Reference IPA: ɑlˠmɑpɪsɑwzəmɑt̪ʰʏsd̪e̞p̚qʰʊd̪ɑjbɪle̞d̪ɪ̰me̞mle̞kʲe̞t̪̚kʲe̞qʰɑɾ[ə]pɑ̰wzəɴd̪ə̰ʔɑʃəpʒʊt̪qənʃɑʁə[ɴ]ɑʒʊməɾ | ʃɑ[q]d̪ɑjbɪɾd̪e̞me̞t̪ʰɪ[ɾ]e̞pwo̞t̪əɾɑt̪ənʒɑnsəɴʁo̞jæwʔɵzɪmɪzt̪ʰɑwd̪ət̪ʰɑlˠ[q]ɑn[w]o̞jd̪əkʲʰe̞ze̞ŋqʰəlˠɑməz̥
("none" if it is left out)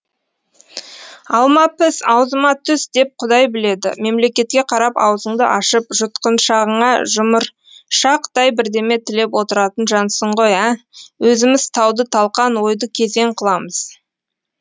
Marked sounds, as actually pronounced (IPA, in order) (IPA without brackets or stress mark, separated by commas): ɑ, ɴ, q, l, q, w